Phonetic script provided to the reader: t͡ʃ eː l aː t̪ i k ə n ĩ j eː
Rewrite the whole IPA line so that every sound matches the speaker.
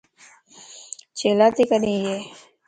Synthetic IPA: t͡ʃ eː l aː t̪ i k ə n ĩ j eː